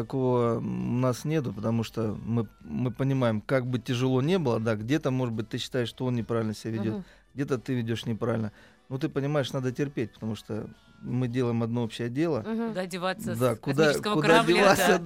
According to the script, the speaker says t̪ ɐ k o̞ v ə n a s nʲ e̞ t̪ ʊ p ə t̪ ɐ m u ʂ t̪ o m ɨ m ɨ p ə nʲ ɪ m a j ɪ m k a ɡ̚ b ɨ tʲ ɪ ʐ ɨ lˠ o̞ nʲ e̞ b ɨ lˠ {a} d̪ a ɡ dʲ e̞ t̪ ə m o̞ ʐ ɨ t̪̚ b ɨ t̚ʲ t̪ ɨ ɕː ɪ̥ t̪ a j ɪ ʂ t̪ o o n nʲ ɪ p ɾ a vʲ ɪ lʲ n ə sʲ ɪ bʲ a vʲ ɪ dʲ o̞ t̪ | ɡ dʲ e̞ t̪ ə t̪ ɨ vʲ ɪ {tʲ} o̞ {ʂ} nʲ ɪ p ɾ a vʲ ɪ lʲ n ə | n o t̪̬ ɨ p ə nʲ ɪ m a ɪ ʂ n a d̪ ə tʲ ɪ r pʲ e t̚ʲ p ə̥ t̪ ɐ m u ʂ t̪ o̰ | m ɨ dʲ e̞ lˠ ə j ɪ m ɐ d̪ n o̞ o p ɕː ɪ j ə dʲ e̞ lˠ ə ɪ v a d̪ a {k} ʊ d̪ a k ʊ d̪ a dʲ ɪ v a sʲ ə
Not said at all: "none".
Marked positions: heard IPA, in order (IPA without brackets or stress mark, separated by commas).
ə, dʲ, ʂ, k